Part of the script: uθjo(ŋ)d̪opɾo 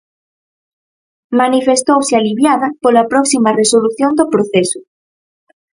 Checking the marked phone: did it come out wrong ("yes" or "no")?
yes